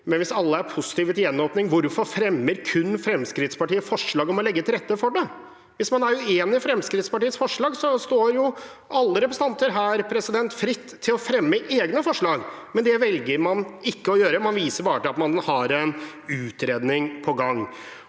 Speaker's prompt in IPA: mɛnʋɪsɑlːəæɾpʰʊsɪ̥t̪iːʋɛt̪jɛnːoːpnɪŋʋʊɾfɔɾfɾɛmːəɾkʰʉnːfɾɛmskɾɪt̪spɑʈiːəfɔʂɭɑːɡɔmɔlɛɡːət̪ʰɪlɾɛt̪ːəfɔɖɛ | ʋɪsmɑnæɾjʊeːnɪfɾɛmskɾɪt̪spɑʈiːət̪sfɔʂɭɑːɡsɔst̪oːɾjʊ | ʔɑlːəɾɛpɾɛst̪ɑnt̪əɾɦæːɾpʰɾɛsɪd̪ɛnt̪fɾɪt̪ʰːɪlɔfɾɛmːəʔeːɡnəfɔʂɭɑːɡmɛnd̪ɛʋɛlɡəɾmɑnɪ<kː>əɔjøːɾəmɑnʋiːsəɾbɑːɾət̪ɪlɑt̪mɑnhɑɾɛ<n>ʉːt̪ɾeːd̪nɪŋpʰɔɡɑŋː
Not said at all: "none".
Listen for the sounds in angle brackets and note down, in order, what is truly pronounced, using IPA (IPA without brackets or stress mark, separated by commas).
kː, n